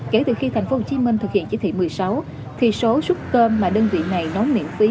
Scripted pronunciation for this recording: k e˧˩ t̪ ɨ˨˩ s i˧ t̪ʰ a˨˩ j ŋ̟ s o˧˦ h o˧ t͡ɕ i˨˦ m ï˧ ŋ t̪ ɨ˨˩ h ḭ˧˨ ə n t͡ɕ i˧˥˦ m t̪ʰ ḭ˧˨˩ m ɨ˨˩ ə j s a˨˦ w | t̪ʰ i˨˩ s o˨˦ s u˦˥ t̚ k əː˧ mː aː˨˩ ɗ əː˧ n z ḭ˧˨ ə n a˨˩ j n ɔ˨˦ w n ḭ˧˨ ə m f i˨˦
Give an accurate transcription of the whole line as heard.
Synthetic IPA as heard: k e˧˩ t̪ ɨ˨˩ x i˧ t̪ʰ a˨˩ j ŋ̟ f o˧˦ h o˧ t͡ɕ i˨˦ m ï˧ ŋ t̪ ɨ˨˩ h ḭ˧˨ ə n t͡ɕ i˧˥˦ t̪ʰ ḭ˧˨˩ m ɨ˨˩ ə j s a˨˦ w | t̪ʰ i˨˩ s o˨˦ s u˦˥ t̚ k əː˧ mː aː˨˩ ɗ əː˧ n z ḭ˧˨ ə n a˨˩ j n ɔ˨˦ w n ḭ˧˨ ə m f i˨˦